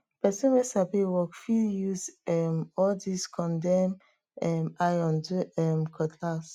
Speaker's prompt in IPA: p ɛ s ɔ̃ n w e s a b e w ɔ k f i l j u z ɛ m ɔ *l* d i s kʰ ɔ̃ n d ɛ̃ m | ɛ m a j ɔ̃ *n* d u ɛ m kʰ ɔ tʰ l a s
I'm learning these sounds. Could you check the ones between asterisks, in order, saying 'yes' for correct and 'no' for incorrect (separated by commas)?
yes, yes